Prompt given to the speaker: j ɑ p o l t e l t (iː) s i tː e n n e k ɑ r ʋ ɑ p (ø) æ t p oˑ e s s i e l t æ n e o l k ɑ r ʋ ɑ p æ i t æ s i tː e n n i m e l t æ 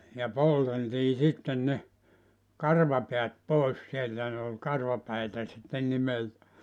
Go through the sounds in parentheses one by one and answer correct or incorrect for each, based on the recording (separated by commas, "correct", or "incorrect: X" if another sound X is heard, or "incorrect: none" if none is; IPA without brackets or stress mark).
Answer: correct, incorrect: e